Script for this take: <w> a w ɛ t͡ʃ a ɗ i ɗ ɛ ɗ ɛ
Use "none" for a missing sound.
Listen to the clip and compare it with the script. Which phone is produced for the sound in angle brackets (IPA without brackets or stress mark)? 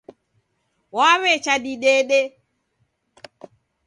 w